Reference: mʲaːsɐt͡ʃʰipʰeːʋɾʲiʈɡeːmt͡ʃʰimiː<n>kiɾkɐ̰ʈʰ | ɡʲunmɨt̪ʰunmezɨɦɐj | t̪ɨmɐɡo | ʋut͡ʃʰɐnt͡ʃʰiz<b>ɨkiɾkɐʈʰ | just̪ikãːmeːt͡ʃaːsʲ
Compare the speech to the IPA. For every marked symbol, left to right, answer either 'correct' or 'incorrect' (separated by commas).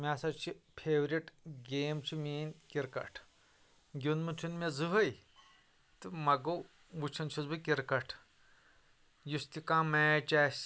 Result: correct, correct